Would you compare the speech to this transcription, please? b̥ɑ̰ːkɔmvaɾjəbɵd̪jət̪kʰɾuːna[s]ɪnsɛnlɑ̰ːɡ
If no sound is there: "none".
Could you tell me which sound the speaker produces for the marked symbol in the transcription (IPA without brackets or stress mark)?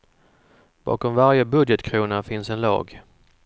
f